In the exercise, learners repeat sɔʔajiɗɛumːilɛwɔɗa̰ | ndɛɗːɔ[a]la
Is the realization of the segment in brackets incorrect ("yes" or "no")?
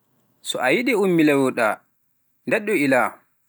yes